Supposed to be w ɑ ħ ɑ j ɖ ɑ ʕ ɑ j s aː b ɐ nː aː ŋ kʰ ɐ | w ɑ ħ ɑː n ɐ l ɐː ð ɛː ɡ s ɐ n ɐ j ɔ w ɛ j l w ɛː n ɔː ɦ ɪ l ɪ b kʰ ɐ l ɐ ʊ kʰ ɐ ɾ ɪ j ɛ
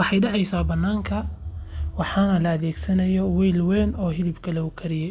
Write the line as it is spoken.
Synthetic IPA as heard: w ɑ ħ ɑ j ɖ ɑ ʕ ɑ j s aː b ɐ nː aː ŋ kʰ ɐ | w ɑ ħ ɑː n ɐ l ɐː ð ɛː ɡ s ɐ n ɐ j ɔ w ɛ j l w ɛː n ɔː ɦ ɪ l ɪ b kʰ ɐ l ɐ ʊ kʰ ɐ ɾ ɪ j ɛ